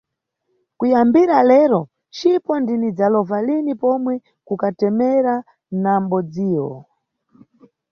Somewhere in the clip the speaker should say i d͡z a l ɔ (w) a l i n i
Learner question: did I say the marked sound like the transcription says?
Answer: no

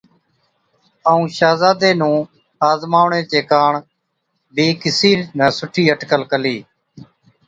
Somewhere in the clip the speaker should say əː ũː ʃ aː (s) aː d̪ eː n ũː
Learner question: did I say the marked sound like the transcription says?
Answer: no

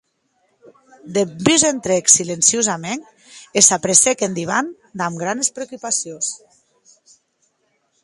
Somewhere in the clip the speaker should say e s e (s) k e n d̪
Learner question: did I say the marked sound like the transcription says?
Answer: no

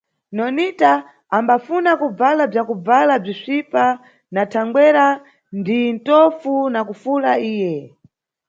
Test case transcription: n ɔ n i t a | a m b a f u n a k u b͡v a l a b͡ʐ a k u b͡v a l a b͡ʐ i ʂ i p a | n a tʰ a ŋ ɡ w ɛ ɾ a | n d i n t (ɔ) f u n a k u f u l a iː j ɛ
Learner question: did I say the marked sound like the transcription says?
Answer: yes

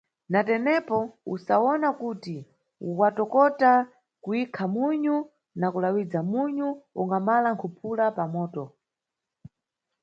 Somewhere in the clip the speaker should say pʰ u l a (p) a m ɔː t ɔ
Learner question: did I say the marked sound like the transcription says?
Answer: yes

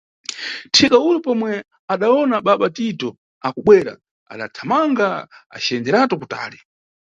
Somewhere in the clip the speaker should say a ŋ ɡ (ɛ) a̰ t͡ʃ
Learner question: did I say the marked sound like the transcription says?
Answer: no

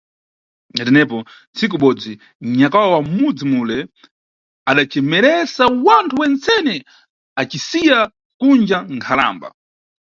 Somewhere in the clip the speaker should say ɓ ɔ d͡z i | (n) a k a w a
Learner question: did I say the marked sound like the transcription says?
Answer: no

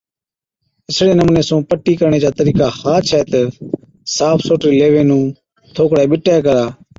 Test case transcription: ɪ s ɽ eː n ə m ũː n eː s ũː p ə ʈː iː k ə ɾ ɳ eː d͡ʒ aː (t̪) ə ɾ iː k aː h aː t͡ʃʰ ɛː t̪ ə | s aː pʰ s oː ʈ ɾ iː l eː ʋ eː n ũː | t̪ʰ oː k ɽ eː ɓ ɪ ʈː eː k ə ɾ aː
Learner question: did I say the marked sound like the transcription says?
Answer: yes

